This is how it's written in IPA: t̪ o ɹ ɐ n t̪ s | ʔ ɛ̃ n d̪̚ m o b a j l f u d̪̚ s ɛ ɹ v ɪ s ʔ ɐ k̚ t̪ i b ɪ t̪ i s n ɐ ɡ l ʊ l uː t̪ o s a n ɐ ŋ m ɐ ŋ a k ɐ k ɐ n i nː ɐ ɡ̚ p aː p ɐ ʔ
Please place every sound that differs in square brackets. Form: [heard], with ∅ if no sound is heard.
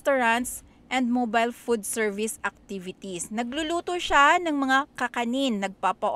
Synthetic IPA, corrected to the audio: t̪ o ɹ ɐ n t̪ s | ʔ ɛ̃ n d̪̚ m o b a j l f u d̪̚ s ɛ ɹ v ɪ s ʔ ɐ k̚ t̪ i [v] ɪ t̪ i s n ɐ ɡ l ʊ l uː t̪ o [ʃ] a n ɐ ŋ m ɐ ŋ a k ɐ k ɐ n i nː ɐ ɡ̚ p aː p ɐ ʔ